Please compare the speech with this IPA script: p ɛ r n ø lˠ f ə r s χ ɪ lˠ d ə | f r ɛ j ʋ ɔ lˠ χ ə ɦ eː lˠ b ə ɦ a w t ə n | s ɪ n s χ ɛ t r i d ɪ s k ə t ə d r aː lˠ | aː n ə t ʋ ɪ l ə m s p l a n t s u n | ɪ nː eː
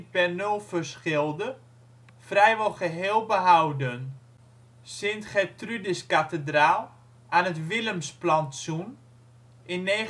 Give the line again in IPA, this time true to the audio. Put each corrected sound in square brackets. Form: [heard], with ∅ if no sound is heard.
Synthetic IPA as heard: p ɛ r n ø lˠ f ə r s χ ɪ lˠ d ə | f r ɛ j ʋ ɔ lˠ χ ə ɦ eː lˠ b ə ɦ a w [d] ə n | s ɪ n [t] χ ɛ t r [y] d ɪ s k [a] t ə d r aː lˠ | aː n ə t ʋ ɪ l ə m s p l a n t s u n | ɪ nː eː